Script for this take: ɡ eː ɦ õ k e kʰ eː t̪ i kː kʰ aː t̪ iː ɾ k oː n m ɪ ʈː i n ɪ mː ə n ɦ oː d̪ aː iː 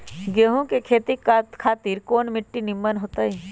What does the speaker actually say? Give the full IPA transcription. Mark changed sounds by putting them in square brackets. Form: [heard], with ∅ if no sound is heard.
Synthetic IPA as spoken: ɡ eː ɦ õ k e kʰ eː t̪ i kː kʰ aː t̪ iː ɾ k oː n m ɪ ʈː i n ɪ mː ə n ɦ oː [t̪] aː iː